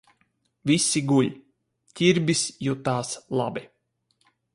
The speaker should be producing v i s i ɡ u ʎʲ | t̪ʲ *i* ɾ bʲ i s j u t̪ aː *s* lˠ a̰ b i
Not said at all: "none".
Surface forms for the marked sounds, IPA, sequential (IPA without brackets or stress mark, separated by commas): i, s